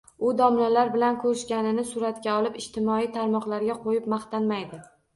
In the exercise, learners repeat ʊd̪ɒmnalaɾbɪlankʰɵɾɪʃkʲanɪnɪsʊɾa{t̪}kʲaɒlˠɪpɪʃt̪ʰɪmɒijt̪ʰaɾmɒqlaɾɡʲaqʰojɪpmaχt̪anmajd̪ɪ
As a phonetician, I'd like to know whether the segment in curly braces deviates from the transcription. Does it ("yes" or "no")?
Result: no